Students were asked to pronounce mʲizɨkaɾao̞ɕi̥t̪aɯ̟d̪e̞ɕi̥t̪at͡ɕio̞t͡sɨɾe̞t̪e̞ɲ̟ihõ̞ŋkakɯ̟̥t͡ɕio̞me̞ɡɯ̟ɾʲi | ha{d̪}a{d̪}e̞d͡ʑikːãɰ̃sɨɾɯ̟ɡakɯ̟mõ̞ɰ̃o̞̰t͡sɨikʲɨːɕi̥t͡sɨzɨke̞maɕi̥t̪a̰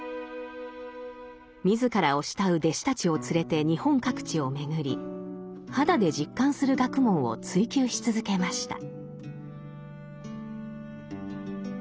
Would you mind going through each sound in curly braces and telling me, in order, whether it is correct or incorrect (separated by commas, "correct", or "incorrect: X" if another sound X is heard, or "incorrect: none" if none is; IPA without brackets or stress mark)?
correct, correct